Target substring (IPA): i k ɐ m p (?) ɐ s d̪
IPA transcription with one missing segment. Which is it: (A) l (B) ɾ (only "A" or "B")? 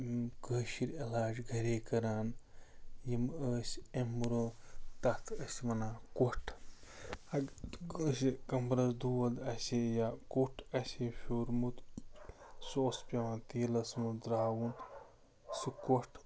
B